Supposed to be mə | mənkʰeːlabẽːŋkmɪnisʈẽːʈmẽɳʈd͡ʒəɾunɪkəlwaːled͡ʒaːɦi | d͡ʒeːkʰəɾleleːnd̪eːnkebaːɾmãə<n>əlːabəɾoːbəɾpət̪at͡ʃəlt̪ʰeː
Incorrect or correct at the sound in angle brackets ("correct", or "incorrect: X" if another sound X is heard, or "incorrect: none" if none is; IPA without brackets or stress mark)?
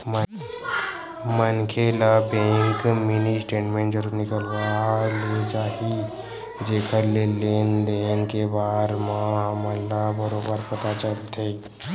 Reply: incorrect: m